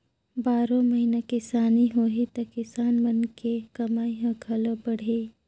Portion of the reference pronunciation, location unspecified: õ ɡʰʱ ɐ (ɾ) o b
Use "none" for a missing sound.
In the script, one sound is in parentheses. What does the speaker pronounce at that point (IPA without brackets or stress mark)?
l